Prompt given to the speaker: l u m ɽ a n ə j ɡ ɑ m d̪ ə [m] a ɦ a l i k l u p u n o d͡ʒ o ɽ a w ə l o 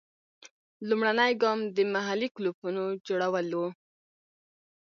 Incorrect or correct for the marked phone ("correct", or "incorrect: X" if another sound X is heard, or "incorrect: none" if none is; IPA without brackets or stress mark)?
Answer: correct